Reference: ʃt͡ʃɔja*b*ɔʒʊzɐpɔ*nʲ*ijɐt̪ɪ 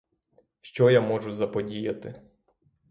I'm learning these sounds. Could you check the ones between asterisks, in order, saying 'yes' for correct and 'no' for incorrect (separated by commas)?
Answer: no, no